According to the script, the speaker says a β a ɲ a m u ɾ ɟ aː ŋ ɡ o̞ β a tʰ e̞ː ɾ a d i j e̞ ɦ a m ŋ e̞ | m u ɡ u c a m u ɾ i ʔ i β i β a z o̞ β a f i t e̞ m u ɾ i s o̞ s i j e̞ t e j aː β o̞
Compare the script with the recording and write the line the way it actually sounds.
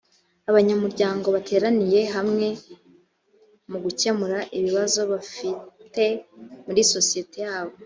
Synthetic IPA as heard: a β a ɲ a m u ɾ ɟ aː ŋ ɡ o̞ β a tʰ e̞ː ɾ a n i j e̞ ɦ a m ŋ e̞ | m u ɡ u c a m u ɾ a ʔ i β i β a z o̞ β a f i t e̞ m u ɾ i s o̞ s i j e̞ t e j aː β o̞